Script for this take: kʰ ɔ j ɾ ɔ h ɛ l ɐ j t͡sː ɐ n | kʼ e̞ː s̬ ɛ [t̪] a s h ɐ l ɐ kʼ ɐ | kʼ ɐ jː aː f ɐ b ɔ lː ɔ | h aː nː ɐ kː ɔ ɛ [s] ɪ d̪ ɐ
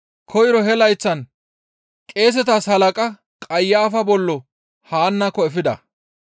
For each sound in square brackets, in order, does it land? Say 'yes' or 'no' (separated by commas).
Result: yes, no